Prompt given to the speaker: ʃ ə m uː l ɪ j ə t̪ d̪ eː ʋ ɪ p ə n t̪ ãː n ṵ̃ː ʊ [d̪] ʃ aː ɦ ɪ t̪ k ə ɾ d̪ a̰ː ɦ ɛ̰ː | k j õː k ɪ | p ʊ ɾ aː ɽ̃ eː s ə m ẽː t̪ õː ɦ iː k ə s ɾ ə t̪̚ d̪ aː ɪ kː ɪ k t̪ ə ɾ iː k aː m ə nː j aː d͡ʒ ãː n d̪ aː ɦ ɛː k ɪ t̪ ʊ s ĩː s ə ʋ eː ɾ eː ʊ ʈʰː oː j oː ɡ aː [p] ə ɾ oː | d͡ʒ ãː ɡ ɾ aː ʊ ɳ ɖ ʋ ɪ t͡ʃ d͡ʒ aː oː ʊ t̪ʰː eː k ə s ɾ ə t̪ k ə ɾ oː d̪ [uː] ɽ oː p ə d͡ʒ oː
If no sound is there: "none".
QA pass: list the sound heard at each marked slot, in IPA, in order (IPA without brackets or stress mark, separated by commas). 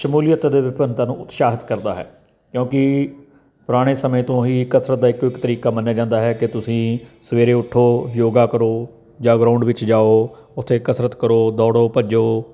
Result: t̪, k, ɔː